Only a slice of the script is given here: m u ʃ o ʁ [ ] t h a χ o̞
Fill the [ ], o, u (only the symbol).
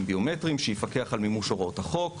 o